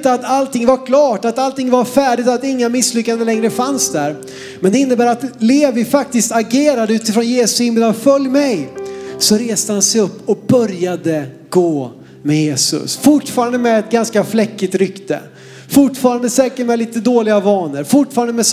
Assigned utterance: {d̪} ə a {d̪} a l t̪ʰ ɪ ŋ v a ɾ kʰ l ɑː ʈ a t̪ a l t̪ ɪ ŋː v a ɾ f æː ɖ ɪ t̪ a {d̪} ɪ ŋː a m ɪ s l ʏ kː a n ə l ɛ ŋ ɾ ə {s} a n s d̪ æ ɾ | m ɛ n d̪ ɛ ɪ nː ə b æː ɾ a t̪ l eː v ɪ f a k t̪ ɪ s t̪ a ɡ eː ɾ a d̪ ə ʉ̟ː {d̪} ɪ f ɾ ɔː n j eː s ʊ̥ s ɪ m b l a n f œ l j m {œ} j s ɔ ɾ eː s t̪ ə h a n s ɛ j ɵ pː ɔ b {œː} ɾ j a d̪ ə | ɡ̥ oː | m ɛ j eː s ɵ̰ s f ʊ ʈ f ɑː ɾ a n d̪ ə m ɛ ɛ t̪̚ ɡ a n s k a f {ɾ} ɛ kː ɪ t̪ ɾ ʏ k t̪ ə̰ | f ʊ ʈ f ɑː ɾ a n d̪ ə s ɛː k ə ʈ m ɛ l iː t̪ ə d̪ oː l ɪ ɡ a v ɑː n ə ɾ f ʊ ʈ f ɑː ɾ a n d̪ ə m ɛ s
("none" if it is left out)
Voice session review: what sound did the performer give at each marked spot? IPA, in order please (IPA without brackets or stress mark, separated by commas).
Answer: t̪, t̪, t̪, f, t̪, ɛ, œ, l